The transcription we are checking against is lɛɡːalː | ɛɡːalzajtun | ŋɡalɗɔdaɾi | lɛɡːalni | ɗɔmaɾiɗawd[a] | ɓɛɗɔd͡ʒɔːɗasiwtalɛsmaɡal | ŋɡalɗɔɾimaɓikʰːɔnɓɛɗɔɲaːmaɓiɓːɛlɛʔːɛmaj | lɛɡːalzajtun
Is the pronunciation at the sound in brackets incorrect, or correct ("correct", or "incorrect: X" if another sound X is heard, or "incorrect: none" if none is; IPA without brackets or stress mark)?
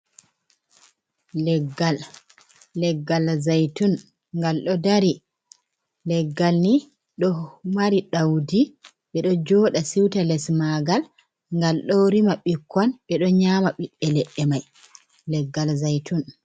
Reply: incorrect: i